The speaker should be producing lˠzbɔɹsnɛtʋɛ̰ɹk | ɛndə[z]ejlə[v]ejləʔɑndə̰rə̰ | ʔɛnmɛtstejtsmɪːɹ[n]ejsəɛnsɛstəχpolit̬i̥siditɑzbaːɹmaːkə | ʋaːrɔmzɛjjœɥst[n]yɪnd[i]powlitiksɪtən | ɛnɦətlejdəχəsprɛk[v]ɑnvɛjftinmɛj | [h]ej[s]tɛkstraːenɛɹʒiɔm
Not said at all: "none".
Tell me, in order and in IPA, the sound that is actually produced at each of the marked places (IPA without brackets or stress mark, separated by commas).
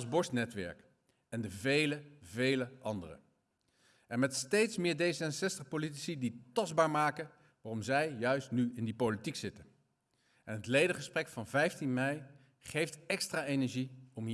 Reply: v, v, d, n, i, f, χ, f